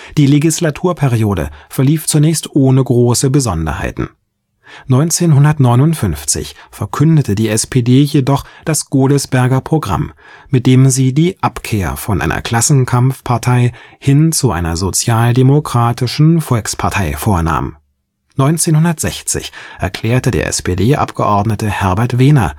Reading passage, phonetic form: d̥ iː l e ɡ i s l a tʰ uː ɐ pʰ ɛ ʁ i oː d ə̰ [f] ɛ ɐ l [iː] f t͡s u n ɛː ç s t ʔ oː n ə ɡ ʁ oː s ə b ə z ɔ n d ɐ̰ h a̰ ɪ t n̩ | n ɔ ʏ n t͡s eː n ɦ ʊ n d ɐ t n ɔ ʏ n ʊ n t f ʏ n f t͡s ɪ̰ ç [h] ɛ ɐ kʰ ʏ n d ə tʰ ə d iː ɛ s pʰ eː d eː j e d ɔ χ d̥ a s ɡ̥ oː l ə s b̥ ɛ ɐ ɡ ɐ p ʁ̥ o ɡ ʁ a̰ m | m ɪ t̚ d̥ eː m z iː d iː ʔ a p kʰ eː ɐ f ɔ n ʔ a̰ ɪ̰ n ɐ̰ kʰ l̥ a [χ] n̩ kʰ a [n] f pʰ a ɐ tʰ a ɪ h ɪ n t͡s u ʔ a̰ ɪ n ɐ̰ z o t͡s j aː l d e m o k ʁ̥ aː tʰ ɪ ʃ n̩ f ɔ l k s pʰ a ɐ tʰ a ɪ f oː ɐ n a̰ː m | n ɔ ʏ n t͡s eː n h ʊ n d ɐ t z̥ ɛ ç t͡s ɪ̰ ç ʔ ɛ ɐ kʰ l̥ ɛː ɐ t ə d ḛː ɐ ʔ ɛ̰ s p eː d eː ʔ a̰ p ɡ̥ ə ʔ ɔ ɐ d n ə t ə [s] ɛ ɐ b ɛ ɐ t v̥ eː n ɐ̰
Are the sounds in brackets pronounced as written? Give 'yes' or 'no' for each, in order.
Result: yes, yes, no, no, no, no

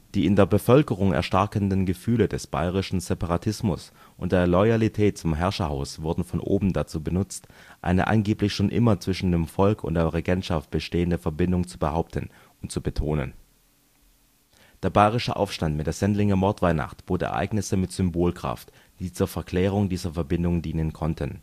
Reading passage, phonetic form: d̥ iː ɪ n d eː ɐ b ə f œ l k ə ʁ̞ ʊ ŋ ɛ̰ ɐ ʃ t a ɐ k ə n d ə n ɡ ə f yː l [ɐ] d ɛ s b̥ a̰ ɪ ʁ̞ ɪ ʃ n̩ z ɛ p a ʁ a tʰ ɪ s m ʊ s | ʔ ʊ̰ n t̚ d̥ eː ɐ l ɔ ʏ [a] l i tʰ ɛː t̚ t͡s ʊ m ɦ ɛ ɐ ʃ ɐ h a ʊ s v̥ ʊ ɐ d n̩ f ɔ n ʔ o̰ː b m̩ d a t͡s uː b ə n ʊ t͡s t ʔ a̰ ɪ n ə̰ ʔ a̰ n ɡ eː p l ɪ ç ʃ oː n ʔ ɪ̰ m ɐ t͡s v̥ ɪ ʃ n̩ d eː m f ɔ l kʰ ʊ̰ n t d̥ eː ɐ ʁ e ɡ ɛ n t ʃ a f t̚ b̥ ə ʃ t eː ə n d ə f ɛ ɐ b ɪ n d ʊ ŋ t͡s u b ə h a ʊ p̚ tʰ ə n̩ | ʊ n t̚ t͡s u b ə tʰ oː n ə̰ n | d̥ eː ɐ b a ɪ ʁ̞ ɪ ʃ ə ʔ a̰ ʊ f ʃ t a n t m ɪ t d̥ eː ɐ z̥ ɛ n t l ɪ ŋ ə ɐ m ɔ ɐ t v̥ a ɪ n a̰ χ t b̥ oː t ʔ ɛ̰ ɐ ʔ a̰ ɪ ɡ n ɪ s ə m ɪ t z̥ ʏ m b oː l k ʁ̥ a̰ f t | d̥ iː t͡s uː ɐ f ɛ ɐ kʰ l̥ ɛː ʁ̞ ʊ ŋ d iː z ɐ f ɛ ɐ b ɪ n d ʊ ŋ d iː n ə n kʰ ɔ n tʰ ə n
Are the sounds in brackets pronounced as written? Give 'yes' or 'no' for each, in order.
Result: no, yes

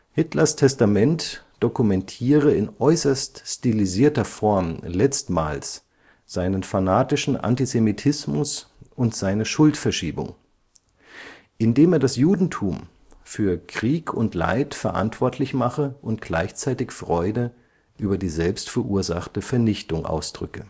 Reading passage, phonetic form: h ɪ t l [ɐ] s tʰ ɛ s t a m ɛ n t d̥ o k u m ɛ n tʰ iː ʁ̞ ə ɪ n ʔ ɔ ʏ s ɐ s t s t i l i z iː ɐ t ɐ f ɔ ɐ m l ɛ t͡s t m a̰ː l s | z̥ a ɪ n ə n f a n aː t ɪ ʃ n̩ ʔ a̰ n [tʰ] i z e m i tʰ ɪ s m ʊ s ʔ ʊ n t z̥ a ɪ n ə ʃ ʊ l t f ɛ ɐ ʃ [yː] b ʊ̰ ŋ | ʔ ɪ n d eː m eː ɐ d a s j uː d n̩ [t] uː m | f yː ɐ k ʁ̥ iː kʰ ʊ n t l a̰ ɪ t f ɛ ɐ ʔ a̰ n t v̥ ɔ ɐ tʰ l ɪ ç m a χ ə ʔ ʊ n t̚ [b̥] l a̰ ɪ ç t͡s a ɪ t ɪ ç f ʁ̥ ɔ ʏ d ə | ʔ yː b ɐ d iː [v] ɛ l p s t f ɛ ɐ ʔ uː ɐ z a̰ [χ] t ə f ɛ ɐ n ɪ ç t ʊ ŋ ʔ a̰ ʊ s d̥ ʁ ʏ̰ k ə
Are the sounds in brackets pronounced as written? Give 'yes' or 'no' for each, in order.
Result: yes, no, no, no, no, no, yes

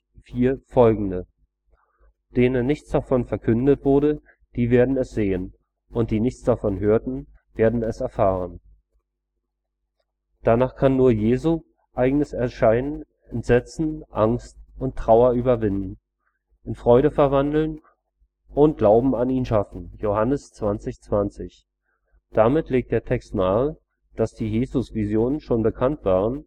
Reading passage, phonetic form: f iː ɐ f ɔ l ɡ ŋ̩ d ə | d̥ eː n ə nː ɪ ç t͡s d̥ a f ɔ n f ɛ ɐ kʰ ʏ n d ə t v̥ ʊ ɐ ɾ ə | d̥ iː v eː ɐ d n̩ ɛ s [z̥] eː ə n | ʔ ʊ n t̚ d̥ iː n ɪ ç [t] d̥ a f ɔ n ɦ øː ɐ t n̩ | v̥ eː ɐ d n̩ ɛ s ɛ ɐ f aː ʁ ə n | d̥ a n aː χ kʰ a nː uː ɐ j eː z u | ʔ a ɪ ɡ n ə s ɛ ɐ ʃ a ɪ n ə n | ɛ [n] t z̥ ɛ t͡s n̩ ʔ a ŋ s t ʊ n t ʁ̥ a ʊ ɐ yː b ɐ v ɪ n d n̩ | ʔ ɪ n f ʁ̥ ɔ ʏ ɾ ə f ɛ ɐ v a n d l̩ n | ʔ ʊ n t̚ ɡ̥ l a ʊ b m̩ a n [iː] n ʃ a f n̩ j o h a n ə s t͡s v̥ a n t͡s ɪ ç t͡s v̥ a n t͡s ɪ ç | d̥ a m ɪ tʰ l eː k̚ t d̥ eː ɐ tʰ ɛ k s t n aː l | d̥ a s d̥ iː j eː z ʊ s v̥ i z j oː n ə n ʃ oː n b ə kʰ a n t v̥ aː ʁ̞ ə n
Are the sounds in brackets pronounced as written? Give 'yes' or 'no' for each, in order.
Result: yes, no, yes, yes

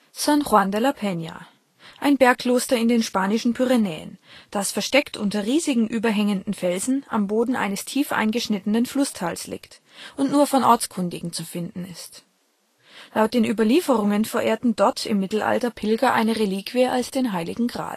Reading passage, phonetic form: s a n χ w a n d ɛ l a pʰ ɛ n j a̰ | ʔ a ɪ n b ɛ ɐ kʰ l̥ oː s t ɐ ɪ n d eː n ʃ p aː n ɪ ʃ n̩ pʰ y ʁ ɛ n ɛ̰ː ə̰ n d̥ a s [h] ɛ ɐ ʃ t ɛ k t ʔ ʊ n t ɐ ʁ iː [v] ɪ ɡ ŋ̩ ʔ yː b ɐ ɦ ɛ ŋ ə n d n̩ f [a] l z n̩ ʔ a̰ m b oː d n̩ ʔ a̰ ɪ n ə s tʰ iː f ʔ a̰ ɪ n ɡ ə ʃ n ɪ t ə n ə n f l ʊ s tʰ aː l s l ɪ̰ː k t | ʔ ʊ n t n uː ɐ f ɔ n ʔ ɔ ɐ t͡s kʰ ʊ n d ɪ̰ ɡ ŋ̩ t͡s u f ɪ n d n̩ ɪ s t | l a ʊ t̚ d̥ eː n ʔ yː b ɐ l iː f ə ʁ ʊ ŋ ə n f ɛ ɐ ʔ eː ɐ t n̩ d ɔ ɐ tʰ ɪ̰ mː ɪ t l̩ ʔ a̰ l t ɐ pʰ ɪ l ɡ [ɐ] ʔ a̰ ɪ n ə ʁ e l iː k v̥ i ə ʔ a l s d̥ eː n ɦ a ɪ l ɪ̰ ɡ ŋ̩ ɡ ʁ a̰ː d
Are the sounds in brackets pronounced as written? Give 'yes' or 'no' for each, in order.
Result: no, no, no, yes

